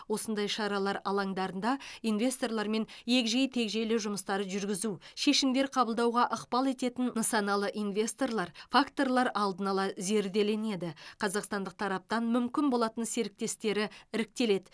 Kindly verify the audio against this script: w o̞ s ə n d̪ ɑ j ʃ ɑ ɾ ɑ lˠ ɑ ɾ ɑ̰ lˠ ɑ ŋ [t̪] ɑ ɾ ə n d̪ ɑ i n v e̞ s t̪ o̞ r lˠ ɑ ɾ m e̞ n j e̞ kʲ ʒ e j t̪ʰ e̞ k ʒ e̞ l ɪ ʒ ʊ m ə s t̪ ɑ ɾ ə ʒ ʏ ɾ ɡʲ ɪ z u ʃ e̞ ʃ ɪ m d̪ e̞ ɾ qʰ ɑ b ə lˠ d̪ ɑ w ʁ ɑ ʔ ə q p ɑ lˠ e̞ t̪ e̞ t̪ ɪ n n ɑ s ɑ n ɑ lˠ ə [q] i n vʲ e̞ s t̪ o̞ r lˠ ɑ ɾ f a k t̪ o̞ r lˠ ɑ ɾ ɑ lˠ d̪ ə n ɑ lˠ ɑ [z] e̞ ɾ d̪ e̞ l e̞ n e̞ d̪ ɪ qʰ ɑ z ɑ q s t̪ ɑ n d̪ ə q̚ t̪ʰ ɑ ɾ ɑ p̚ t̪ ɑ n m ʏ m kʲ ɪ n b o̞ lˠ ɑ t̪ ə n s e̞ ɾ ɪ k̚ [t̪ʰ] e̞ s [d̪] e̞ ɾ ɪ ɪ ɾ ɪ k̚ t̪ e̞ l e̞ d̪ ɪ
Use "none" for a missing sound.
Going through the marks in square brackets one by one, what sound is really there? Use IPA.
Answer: d̪, ʔ, z, t̪, t̪

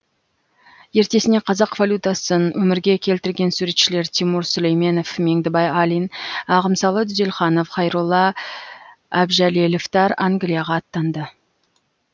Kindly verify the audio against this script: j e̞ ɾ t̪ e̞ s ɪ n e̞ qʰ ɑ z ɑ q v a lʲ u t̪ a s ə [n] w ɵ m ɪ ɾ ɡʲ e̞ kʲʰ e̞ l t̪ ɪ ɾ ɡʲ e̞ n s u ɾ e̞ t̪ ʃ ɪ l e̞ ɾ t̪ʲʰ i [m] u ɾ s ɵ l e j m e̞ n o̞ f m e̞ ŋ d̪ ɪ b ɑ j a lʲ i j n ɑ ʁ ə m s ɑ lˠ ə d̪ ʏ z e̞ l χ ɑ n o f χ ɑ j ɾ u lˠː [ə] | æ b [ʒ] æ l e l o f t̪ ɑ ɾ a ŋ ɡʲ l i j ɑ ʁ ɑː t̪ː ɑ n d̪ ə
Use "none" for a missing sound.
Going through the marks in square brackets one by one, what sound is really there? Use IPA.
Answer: n, m, ɑ, ʒ

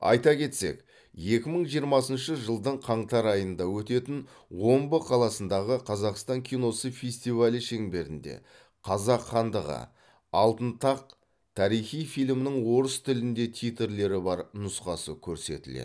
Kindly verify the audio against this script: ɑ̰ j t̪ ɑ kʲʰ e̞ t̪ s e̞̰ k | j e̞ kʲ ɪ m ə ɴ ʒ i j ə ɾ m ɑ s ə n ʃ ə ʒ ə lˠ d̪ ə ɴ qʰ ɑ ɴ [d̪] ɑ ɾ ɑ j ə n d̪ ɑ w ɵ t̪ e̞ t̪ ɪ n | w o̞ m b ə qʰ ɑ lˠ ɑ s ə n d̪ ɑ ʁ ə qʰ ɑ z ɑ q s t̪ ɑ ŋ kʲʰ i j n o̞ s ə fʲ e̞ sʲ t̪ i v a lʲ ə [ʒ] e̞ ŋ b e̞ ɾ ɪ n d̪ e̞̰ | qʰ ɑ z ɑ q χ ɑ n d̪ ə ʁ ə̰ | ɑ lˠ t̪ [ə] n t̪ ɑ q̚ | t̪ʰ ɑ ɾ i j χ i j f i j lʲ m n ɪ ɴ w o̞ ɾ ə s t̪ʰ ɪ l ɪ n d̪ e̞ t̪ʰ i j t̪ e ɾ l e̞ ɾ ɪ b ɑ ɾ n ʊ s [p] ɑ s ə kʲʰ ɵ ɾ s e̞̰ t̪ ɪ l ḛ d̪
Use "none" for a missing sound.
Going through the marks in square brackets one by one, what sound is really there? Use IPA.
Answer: t̪, ʃ, ə, q

